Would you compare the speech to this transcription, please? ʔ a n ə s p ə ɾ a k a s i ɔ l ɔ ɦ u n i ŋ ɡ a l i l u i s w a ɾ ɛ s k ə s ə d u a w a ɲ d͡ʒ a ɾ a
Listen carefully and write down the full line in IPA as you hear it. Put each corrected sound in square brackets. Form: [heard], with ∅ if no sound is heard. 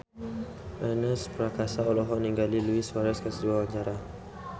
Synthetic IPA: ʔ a n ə s p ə ɾ a k a s [a] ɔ l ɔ ɦ [ɔ] n i ŋ ɡ a l i l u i s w a ɾ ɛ s k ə s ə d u a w a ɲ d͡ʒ a ɾ a